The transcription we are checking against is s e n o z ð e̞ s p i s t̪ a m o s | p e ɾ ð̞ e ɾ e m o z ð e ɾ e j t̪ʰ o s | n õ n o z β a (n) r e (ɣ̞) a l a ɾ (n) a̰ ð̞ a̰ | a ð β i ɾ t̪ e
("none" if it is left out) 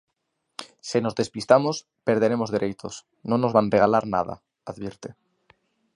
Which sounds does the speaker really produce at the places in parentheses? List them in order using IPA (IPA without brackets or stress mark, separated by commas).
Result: n, ɣ̞, n